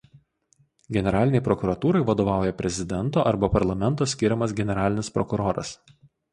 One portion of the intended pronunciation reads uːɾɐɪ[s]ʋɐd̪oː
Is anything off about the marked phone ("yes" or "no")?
yes